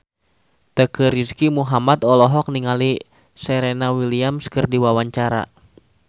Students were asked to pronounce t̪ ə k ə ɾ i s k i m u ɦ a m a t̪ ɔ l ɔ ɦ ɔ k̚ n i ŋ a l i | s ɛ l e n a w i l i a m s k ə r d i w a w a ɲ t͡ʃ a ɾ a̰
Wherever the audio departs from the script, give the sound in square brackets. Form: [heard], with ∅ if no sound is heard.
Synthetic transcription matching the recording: t̪ ə k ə ɾ i s k i m u ɦ a m a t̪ ɔ l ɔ ɦ ɔ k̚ n i ŋ a l i | s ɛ [ɾ] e n a w i l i a m s k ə r d i w a w a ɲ t͡ʃ a ɾ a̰

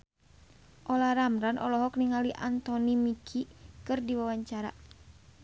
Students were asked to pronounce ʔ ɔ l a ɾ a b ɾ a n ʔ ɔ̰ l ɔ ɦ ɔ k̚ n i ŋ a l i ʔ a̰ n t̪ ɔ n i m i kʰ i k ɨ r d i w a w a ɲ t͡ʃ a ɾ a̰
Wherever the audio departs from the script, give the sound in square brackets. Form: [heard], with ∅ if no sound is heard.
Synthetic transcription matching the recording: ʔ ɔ l a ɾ a [m] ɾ a n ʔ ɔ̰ l ɔ ɦ ɔ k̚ n i ŋ a l i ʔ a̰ n t̪ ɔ n i m i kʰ i k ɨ r d i w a w a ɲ t͡ʃ a ɾ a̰

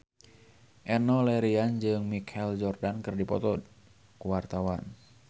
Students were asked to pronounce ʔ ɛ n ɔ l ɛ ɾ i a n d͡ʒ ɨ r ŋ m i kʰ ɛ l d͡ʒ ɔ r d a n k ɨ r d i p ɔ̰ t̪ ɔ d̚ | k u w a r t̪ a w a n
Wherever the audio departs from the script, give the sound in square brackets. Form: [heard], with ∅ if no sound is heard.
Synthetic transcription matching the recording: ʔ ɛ n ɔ l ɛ ɾ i a n d͡ʒ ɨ [∅] ŋ m i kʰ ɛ l d͡ʒ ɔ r d a n k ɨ r d i p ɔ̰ t̪ ɔ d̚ | k u w a r t̪ a w a n

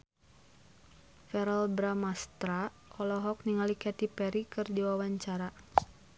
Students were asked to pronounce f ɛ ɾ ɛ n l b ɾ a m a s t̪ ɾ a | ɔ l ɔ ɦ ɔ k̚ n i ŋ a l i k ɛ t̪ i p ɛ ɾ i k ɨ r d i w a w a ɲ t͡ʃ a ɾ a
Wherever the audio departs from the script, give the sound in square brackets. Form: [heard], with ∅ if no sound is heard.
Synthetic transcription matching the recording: f ɛ ɾ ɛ [∅] l b ɾ a m a s t̪ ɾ a | ɔ l ɔ ɦ ɔ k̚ n i ŋ a l i k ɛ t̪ i p ɛ ɾ i k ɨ r d i w a w a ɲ t͡ʃ a ɾ a

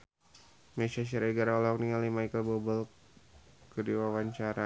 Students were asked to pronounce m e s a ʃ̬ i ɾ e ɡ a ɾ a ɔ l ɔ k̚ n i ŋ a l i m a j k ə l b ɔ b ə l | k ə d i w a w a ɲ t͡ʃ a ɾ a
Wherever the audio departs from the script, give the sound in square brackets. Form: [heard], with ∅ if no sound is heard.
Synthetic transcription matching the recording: m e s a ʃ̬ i ɾ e ɡ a ɾ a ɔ l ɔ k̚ n i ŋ a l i m a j k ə l b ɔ b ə l | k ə d i w a w a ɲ t͡ʃ a ɾ a

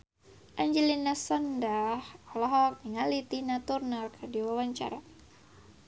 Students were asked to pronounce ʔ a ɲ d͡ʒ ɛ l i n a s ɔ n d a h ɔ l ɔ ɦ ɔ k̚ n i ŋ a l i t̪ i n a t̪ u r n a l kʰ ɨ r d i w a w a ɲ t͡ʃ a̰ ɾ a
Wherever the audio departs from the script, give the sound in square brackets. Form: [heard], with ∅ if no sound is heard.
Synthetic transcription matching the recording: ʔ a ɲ d͡ʒ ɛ l i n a s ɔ n d a h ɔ l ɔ ɦ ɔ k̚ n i ŋ a l i t̪ i n a t̪ u r n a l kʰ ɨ r d i w a w a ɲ t͡ʃ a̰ ɾ a

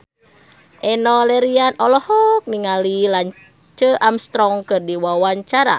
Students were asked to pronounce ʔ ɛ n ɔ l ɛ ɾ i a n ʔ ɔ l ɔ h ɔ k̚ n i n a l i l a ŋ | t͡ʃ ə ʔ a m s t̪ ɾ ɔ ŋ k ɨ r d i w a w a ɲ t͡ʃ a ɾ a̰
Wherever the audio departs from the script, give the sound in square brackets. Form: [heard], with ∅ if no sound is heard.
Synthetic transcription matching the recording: ʔ ɛ n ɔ l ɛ ɾ i a n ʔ ɔ l ɔ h ɔ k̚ n i [ŋ] a l i l a [ɲ] | t͡ʃ ə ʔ a m s t̪ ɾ ɔ ŋ k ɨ r d i w a w a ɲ t͡ʃ a ɾ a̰

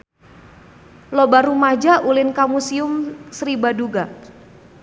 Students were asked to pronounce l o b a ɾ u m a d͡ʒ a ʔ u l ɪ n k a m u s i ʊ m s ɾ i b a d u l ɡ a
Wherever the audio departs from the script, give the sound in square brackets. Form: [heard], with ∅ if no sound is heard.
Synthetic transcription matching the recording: l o b a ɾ u m a d͡ʒ a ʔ u l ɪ n k a m u s i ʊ m s ɾ i b a d u [∅] ɡ a

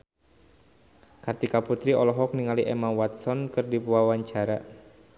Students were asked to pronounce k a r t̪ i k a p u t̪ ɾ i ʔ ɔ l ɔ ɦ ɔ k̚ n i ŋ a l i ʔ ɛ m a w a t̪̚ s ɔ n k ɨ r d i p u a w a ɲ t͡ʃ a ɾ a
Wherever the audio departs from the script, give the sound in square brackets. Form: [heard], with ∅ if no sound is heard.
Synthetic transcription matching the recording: k a r t̪ i k a p u t̪ ɾ i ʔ ɔ l ɔ ɦ ɔ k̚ n i ŋ a l i ʔ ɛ m a w a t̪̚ s ɔ n k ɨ r d i p u a w a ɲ t͡ʃ a ɾ a

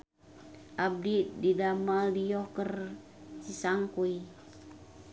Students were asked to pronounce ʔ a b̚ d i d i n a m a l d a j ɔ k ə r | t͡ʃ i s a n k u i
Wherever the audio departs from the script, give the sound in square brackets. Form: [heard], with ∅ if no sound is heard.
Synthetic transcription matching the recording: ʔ a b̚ d i d i [d] a m a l d [i] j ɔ k ə r | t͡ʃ i s a [ŋ] k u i

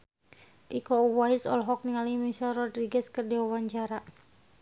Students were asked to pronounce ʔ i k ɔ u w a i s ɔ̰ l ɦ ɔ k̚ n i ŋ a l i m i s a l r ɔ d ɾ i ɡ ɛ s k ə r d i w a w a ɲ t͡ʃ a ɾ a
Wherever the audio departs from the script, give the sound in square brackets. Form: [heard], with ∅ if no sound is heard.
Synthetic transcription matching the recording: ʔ i k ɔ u w a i s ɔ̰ l ɦ ɔ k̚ n i ŋ a l i m i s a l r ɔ d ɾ i ɡ ɛ s k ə r d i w a w a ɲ t͡ʃ a ɾ a

